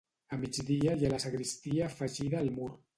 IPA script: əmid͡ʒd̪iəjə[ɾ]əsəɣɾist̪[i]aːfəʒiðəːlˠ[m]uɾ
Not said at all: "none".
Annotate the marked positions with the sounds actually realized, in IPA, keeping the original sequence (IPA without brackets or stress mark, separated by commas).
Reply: l, i, m